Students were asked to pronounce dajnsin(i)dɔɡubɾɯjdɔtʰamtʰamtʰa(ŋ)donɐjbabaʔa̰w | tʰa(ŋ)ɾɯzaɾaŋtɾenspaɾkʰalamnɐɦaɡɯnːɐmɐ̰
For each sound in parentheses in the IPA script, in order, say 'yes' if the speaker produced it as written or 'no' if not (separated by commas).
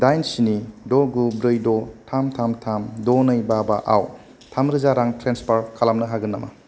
yes, no, no